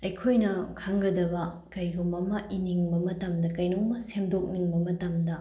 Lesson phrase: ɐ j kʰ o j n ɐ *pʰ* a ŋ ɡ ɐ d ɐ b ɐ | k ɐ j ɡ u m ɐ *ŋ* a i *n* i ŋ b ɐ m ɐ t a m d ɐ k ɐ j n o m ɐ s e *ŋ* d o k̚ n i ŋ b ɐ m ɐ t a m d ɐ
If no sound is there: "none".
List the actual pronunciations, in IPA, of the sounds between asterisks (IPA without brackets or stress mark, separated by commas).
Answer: kʰ, m, n, m